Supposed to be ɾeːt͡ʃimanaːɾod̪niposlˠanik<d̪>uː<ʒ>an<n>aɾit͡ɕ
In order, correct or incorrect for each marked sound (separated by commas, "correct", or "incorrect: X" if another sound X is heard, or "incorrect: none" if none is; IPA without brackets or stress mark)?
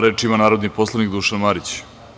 correct, incorrect: ʃ, incorrect: m